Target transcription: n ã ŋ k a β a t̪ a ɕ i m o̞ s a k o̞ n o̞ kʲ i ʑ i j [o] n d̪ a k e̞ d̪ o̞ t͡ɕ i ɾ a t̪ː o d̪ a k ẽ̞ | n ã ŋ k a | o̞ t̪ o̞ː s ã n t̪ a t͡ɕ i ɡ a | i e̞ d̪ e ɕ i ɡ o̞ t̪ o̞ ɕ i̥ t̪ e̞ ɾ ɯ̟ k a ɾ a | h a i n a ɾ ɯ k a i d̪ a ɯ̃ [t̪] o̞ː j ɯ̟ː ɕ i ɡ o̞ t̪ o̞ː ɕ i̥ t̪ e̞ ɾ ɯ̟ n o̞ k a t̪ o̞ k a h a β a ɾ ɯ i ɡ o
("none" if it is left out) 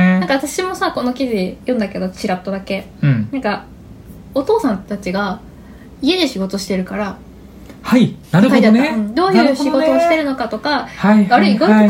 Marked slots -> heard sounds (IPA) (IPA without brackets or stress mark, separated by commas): õ, d̪